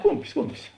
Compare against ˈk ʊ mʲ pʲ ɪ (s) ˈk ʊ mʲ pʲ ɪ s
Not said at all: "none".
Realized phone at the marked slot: s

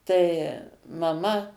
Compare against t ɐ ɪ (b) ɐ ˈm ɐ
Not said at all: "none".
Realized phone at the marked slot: m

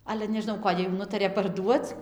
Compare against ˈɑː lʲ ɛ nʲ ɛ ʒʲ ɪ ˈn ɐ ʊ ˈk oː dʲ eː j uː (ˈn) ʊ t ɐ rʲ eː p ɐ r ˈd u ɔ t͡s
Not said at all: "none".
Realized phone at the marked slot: n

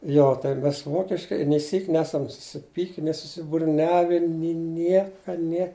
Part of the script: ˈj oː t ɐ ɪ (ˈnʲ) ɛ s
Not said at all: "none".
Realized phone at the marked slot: mʲ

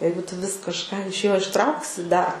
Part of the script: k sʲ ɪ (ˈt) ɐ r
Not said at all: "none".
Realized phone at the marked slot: d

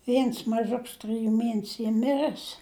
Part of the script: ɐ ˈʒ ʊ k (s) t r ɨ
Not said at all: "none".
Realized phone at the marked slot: s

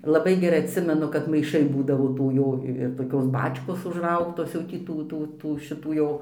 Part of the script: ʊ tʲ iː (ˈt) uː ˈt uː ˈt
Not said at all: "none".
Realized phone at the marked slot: t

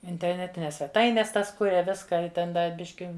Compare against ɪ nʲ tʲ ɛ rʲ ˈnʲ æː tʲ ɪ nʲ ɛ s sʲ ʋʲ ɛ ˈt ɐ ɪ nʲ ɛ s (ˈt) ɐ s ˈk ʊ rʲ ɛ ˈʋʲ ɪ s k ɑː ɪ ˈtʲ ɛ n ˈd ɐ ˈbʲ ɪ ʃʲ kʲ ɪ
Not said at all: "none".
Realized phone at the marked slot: t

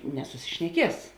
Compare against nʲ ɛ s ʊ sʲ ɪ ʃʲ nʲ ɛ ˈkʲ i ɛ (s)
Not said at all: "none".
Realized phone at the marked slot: s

